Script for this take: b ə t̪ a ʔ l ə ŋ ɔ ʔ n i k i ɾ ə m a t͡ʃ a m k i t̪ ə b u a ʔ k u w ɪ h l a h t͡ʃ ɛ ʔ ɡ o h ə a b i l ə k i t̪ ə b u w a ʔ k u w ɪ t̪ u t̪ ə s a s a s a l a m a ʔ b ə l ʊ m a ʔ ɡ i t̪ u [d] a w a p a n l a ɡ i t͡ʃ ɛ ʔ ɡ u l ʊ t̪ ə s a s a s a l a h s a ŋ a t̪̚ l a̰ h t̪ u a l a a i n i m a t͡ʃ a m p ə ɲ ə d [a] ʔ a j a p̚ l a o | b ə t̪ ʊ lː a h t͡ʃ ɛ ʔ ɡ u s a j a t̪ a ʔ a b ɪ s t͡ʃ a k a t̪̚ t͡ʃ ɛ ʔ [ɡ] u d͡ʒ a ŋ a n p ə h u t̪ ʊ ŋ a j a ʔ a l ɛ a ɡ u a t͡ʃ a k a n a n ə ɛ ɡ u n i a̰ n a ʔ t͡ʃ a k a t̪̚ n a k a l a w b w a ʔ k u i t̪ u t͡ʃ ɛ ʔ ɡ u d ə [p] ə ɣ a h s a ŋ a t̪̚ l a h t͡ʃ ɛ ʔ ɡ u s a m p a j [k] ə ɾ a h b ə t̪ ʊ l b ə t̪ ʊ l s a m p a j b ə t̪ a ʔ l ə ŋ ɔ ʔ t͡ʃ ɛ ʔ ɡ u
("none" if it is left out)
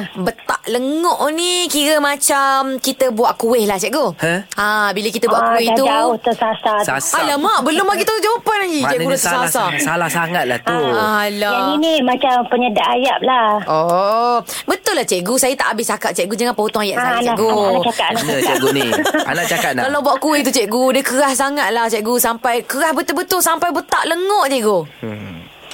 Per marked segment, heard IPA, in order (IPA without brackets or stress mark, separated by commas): d͡ʒ, a, ɡ, k, k